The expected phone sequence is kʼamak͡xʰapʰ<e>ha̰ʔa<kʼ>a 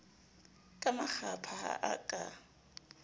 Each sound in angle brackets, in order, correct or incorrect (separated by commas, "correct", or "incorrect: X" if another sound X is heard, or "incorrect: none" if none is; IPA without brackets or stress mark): incorrect: a, correct